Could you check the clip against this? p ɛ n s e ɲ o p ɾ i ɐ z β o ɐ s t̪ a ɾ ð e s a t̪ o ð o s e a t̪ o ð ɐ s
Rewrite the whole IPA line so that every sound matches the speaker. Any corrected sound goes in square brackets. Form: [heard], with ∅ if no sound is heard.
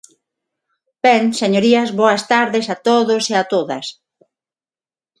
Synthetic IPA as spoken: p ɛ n s e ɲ o [∅] ɾ i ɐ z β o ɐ s t̪ a ɾ ð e s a t̪ o ð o s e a t̪ o ð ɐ s